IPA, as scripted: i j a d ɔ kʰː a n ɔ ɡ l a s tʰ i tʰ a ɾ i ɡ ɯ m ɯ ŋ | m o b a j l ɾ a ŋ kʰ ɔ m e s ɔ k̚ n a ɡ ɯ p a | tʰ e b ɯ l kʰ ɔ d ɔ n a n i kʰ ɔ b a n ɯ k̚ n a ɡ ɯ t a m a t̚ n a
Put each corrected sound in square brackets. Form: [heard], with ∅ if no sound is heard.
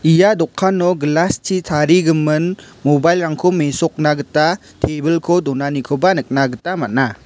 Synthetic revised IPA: i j a d ɔ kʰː a n ɔ ɡ l a s tʰ i tʰ a ɾ i ɡ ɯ m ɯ [n] | m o b a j l ɾ a ŋ kʰ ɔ m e s ɔ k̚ n a ɡ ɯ [t] a | tʰ e b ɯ l kʰ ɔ d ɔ n a n i kʰ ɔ b a n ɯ k̚ n a ɡ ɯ t a m a t̚ n a